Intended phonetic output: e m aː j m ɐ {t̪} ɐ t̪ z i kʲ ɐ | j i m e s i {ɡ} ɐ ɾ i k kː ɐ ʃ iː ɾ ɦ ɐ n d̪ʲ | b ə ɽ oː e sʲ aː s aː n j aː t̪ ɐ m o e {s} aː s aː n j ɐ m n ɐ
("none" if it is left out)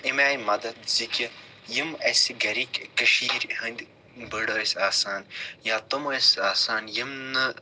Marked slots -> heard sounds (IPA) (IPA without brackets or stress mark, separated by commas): d̪, ɡ, s